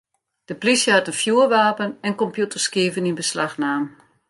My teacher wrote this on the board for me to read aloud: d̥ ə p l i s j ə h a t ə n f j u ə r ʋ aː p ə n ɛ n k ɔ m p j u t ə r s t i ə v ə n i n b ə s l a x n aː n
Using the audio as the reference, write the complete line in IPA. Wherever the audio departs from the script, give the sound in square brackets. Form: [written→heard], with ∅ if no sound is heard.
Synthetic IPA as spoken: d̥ ə p l i s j ə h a t ə n f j u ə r ʋ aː p ə n ɛ n k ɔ m p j u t ə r s [t→k] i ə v ə n i n b ə s l a x n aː [n→m]

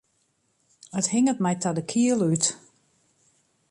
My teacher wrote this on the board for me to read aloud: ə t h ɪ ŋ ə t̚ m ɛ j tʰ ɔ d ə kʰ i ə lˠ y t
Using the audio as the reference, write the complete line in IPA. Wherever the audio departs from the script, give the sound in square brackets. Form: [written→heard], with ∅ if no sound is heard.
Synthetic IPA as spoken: ə t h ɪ ŋ ə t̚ m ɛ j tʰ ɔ d ə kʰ i ə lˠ y t

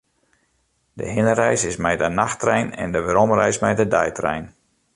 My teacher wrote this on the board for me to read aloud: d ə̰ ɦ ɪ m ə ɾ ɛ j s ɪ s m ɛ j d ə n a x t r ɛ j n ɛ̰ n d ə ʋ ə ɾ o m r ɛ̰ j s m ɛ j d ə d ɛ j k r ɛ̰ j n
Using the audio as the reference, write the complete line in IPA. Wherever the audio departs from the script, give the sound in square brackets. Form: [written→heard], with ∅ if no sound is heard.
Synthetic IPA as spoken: d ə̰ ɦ ɪ [m→n] ə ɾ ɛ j s ɪ s m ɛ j d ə n a x t r ɛ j n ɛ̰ n d ə ʋ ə ɾ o m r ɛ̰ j s m ɛ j d ə d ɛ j [k→t] r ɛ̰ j n

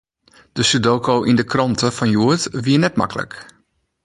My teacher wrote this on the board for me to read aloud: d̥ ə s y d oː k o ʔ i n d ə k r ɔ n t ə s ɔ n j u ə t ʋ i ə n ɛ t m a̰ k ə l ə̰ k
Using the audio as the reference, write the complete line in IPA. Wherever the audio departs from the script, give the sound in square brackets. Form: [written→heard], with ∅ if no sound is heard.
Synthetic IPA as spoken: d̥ ə s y d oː k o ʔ i n d ə k r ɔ n t ə [s→f] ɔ n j u ə t ʋ i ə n ɛ t m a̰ k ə l ə̰ k

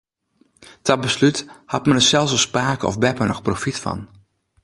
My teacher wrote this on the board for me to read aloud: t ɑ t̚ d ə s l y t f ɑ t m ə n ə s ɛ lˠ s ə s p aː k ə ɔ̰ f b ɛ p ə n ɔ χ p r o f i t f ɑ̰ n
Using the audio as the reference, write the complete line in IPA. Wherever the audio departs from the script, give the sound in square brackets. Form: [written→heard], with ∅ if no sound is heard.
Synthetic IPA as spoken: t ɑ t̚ [d→b] ə s l y t [f→h] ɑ t m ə n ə s ɛ lˠ s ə s p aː k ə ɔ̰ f b ɛ p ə n ɔ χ p r o f i t f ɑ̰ n

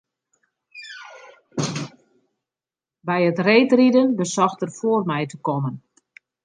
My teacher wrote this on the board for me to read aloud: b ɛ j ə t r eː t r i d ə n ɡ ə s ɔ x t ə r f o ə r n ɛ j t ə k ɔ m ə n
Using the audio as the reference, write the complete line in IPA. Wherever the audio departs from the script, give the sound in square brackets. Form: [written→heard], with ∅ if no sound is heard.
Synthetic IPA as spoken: b ɛ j ə t r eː t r i d ə n [ɡ→b] ə s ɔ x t ə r f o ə r [n→m] ɛ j t ə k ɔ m ə n

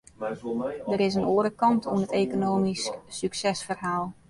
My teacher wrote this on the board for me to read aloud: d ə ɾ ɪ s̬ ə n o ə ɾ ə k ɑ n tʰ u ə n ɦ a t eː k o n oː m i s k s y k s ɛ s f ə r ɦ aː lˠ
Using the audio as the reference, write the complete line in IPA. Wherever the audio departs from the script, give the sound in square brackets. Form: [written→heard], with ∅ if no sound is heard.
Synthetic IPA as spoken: d ə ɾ ɪ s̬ ə n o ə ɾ ə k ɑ n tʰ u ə n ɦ [a→ə] t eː k o n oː m i s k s y k s ɛ s f ə r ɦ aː lˠ

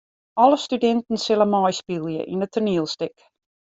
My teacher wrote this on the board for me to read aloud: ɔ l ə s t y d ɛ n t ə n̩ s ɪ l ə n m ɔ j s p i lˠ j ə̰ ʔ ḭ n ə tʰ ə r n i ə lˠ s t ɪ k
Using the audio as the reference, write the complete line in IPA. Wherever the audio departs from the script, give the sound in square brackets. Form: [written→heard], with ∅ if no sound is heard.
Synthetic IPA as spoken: ɔ l ə s t y d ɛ n t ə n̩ s ɪ l ə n m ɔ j s p i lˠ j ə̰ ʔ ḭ n ə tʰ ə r n i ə lˠ s t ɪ k

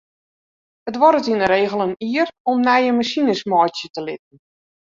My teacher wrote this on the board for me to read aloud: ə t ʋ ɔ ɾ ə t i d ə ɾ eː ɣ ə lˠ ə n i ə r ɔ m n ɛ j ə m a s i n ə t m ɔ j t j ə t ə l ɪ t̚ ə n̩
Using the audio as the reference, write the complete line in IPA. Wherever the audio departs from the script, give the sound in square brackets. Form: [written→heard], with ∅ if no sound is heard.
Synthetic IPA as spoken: ə t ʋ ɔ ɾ ə t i [d→n] ə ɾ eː ɣ ə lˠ ə n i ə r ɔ m n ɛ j ə m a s i n ə [t→s] m ɔ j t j ə t ə l ɪ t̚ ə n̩

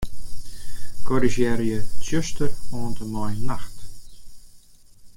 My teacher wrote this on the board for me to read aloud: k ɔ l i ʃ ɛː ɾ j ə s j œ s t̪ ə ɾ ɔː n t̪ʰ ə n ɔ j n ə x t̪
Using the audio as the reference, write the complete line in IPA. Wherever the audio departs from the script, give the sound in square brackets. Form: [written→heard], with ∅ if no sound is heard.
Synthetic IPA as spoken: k ɔ [l→ɾ] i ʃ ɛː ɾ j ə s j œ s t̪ ə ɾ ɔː n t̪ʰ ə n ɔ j n [ə→a] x t̪

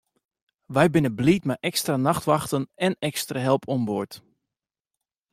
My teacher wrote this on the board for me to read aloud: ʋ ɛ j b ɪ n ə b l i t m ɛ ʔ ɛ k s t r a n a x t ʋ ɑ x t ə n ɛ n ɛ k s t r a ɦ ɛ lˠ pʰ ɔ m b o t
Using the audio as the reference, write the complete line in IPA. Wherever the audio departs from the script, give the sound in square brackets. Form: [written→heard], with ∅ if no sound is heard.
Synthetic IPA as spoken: ʋ ɛ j b ɪ n ə b l i t m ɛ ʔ ɛ k s t r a n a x t ʋ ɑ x t ə n ɛ n ɛ k s t r a ɦ ɛ lˠ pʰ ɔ m b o t

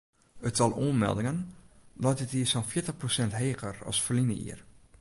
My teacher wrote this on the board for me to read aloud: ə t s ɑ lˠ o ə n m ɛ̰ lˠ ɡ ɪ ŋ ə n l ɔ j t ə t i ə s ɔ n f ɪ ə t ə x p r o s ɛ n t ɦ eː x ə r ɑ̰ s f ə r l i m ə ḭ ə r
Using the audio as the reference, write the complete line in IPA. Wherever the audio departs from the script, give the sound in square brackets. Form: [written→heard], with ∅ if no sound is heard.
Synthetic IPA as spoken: ə t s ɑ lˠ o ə n m ɛ̰ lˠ [ɡ→d] ɪ ŋ ə n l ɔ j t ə t i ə s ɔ n f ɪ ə t ə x p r o s ɛ n t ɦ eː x ə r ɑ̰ s f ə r l i [m→n] ə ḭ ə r

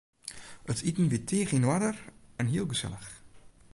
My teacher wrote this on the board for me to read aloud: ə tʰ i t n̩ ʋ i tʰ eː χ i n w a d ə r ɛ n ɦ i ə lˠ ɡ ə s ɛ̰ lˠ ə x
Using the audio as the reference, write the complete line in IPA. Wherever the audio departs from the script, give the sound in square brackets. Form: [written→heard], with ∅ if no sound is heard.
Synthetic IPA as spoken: ə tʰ i t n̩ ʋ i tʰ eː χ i n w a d ə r ɛ n ɦ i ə lˠ ɡ ə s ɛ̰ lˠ ə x

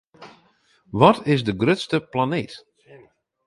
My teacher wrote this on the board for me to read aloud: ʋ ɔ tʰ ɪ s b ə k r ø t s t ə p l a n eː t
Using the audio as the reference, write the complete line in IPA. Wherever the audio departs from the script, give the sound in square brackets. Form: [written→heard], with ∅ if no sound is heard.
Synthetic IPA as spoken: ʋ ɔ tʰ ɪ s [b→d] ə [k→ɡ] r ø t s t ə p l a n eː t

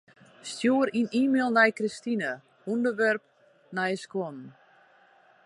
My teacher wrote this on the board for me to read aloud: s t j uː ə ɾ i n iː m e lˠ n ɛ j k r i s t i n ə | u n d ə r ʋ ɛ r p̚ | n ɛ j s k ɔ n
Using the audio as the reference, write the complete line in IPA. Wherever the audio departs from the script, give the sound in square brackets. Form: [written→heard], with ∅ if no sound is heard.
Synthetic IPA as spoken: s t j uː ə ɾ i n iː m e lˠ n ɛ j k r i s t i n ə | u n d ə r ʋ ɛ r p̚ | n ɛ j s k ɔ n

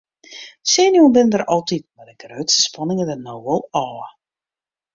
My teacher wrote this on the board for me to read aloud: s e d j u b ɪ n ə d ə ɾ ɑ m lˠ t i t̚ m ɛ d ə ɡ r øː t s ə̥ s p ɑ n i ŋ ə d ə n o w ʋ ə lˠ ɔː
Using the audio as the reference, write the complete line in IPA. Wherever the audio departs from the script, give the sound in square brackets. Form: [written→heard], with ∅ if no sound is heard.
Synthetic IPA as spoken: s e [d→n] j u b ɪ n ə d ə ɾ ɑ [m→∅] lˠ t i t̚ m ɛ d ə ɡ r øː t s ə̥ s p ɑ n [i→ɪ] ŋ ə d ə n o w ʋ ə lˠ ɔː

